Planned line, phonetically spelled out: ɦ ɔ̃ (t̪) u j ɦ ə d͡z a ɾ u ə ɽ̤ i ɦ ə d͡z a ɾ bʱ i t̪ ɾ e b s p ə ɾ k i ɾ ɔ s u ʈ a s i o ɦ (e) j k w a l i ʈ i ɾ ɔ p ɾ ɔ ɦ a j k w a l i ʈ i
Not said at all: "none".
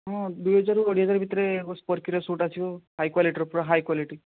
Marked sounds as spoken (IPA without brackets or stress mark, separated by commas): d̪, a